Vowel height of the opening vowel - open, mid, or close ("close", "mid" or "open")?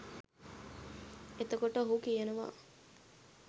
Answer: mid